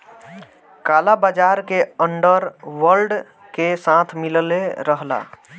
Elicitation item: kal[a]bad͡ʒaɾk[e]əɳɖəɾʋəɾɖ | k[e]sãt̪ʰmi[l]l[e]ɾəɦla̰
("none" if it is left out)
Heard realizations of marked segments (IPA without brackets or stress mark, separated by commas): a, e, e, l, e